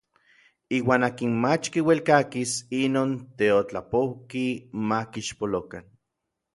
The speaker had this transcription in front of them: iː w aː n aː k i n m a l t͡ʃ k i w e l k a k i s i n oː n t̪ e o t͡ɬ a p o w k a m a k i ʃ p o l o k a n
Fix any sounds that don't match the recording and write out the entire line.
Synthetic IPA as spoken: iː w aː n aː k i n m a t͡ʃ k i w e l k a k i s i n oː n t̪ e o t͡ɬ a p o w k i m a k i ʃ p o l o k a n